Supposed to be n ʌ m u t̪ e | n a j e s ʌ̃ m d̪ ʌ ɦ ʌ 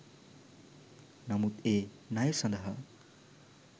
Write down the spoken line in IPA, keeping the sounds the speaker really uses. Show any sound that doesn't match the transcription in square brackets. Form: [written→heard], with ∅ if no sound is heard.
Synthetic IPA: n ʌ m u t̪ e | n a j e s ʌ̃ [m→n] d̪ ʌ ɦ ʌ